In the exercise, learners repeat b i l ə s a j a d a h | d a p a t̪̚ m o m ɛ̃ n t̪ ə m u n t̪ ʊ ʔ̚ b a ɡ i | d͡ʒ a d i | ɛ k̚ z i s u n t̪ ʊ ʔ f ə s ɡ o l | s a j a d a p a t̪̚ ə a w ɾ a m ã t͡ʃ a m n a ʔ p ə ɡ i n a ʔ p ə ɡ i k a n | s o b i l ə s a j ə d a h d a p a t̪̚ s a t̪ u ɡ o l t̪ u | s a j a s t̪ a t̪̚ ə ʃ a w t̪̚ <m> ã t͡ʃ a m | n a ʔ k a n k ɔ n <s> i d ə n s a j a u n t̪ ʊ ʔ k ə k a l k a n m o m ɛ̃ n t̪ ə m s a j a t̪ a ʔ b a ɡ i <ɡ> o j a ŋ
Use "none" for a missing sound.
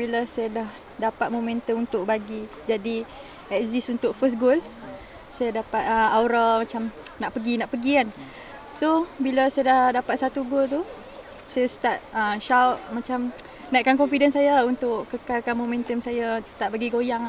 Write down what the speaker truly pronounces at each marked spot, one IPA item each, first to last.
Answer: m, f, ɡ

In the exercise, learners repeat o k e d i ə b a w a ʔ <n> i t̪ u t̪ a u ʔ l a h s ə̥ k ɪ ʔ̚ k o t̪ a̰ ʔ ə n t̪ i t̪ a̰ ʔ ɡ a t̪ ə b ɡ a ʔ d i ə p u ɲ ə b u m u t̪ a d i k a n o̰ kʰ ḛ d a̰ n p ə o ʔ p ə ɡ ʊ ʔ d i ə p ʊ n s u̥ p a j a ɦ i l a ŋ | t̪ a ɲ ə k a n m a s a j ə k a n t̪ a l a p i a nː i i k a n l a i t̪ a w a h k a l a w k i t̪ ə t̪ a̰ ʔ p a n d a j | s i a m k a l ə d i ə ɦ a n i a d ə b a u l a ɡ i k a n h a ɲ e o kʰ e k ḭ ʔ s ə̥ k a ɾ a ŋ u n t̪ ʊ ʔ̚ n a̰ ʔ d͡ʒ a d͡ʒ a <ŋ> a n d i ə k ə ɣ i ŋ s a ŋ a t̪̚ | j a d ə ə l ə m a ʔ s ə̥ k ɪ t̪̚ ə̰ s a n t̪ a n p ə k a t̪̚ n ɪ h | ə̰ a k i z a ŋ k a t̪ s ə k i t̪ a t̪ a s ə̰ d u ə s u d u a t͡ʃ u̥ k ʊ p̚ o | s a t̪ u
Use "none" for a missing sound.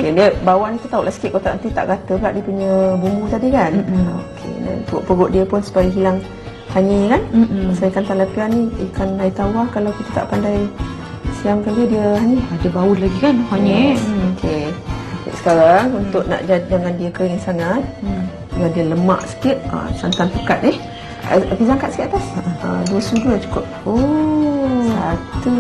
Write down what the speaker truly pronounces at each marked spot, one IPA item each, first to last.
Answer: n, ŋ

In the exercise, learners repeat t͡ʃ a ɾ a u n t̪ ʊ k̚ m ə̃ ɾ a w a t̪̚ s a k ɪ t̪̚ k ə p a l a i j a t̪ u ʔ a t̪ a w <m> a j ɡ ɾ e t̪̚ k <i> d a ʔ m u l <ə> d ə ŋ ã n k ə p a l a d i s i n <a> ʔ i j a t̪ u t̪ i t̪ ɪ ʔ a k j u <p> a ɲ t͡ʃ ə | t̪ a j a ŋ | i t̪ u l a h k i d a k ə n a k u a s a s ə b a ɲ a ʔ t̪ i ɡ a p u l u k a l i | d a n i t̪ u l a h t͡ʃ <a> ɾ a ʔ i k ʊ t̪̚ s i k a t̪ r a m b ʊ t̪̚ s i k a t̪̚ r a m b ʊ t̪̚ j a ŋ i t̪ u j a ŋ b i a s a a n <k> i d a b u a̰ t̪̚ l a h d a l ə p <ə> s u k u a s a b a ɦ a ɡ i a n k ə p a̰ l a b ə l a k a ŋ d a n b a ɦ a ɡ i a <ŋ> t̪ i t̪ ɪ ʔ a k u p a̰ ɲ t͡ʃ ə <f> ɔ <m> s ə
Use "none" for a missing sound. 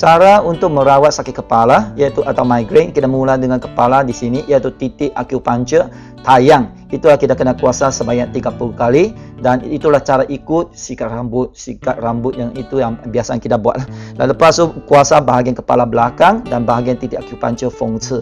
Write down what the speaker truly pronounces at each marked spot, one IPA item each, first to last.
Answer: m, i, a, i, p, a, k, a, n, f, ŋ

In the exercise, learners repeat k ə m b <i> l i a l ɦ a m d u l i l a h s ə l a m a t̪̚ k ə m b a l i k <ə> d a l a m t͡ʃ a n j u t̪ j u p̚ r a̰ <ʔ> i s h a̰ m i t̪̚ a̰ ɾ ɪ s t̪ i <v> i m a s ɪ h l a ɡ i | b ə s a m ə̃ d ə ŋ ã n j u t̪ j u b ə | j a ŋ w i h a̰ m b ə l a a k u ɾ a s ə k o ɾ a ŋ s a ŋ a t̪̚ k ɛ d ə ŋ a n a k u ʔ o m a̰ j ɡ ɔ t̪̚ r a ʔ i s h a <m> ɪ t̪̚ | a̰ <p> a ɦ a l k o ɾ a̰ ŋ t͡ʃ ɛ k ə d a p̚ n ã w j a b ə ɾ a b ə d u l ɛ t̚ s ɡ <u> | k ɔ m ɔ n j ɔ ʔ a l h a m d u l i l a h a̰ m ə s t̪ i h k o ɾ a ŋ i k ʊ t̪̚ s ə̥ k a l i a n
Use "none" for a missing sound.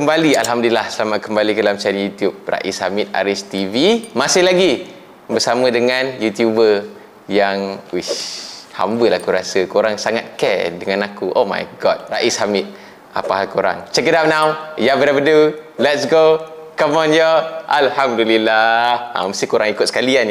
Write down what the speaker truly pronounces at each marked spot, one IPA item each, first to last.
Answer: a, ə, ʔ, v, m, p, o

